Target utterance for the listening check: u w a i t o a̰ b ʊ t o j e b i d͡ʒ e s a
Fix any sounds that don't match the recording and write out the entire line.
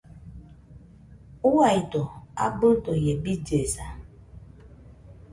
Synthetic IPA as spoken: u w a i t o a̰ b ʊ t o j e b i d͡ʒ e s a